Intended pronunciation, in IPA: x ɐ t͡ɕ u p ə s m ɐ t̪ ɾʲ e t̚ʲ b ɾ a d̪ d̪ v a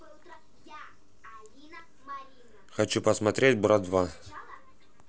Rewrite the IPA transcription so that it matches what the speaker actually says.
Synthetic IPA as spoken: x ɐ t͡ɕ u p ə s m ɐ t̪ ɾʲ e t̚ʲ b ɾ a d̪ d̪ v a